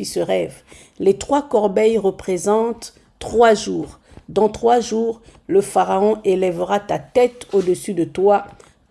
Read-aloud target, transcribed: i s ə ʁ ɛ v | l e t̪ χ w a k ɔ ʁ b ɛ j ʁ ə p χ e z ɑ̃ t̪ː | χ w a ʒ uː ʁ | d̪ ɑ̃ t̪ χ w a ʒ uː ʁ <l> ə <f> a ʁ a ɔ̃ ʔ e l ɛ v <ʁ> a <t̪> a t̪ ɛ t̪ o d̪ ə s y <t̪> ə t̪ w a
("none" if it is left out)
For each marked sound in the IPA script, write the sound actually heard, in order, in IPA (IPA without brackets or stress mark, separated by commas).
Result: l, f, ʁ, t̪, d̪